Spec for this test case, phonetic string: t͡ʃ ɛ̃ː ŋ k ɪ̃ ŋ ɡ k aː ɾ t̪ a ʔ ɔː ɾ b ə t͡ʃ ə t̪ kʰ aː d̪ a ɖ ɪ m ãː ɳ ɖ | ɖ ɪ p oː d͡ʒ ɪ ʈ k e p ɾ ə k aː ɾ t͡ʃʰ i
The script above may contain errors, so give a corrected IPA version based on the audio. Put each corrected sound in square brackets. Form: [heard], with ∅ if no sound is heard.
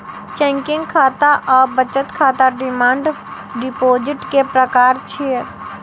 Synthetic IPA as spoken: t͡ʃ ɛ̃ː ŋ k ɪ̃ ŋ ɡ [kʰ] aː [∅] t̪ a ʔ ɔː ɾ b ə t͡ʃ ə t̪ kʰ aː [t̪] a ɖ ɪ m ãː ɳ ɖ | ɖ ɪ p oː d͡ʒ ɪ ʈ k e p ɾ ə k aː ɾ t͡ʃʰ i